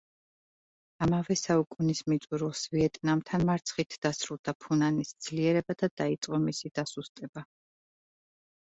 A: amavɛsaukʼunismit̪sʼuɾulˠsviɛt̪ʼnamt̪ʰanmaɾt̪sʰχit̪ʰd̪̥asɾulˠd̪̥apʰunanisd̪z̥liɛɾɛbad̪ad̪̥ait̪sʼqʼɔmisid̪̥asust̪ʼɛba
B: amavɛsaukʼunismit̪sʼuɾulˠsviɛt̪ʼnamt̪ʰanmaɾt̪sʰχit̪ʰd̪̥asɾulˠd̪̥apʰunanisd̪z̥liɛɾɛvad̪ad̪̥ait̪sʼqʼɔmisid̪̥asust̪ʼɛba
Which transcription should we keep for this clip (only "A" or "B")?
A